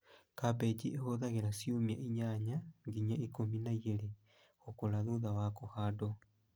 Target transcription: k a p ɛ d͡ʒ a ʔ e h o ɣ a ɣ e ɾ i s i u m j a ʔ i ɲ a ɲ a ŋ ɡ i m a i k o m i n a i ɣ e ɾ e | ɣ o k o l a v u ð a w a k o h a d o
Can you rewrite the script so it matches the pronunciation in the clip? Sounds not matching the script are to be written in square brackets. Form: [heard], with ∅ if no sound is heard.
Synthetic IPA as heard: k a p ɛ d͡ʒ [i] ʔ e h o [ð] a ɣ e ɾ [a] s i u m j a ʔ i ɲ a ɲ a ŋ ɡ i [ɲ] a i k o m i n a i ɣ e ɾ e | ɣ o k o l a [ð] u ð a w a k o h a d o